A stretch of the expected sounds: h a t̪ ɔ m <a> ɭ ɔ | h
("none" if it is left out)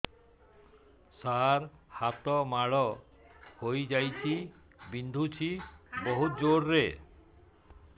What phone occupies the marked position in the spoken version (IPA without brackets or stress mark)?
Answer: a